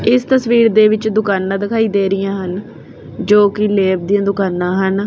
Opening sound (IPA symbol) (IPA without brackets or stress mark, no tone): ɪ